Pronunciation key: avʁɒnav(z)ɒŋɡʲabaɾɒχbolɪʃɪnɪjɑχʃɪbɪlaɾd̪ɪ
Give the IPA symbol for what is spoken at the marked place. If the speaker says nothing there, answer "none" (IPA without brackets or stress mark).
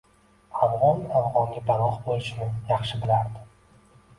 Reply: ʁ